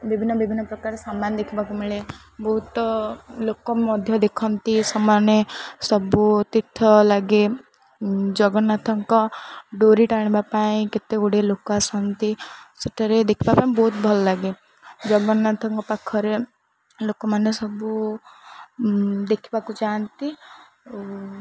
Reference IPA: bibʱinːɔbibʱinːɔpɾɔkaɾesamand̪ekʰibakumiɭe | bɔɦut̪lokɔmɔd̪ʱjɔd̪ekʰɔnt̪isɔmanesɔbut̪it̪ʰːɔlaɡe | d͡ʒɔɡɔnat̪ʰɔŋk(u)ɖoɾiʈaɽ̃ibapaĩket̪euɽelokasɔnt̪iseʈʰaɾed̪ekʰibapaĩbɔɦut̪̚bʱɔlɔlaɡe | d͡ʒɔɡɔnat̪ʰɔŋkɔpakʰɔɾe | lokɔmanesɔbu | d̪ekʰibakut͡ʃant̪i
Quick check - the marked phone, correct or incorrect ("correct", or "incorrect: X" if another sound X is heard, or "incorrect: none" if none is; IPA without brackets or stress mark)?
incorrect: ɔ